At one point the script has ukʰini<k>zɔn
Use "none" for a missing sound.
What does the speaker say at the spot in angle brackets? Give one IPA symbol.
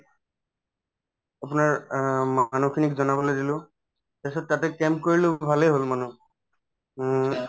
k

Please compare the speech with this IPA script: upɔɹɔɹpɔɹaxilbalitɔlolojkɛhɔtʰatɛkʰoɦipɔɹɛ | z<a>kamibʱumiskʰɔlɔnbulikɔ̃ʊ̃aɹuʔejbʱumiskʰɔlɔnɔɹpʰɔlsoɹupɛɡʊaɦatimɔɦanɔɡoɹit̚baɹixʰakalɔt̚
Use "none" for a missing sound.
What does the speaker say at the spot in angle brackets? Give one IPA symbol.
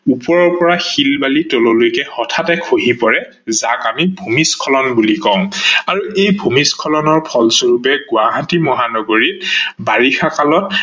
a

